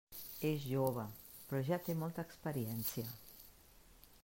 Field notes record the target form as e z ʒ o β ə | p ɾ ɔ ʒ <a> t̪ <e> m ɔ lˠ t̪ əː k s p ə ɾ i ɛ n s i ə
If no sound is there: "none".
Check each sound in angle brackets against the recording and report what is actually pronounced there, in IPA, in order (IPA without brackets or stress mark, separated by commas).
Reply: a, e